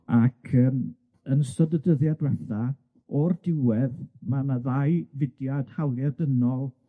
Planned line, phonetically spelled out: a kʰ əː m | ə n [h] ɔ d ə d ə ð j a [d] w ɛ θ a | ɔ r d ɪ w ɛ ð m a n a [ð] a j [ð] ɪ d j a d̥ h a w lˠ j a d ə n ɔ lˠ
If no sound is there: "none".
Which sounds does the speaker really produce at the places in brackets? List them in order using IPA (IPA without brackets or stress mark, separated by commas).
s, d, ð, v